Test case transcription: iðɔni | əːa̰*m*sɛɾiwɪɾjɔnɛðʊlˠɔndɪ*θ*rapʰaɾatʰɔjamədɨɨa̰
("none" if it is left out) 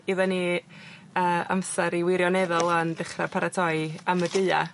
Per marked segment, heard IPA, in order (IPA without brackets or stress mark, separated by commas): m, χ